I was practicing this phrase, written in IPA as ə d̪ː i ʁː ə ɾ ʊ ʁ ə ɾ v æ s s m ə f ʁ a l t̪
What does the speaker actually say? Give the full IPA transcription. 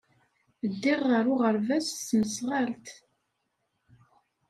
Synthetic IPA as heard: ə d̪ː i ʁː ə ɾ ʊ ʁ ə ɾ v æ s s m ə s ʁ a l t̪